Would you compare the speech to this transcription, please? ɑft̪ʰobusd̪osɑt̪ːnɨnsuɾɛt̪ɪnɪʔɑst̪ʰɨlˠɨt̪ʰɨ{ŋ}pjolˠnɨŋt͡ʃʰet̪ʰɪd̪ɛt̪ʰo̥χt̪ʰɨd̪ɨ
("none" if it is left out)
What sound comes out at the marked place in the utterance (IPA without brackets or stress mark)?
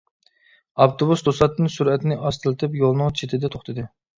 none